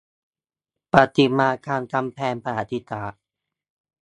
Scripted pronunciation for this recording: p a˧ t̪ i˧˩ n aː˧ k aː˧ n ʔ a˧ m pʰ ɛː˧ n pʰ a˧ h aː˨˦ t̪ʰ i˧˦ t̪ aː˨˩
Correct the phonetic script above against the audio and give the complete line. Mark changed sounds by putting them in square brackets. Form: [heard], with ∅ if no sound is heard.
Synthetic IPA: p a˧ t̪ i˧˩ [m] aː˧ k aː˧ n [k] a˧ m pʰ ɛː˧ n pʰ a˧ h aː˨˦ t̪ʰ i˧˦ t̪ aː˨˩